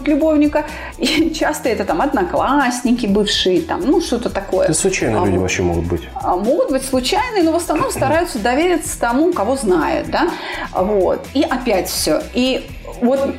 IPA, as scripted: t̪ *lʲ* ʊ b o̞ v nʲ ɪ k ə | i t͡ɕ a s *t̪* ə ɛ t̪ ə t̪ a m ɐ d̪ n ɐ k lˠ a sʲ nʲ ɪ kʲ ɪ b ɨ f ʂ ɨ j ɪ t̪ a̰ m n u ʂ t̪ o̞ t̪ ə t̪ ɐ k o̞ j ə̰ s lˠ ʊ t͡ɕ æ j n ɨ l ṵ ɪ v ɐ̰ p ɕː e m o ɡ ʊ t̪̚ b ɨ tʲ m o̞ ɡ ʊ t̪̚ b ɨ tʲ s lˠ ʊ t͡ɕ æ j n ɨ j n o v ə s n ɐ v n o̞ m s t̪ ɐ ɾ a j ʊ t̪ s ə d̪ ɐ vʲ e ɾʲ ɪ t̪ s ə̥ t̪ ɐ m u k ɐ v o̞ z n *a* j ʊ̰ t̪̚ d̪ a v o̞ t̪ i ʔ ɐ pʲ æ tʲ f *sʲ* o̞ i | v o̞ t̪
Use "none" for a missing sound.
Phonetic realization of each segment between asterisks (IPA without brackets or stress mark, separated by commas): lʲ, t̪, a, sʲ